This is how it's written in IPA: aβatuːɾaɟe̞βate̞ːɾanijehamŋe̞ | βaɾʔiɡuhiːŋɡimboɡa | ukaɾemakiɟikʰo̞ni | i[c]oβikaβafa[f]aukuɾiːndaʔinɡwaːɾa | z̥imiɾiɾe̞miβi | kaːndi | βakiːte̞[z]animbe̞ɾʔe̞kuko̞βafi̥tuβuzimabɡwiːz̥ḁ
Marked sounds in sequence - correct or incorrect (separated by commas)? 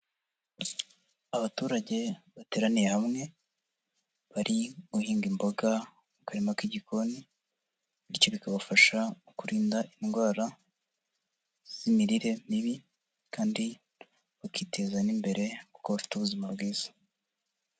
correct, incorrect, correct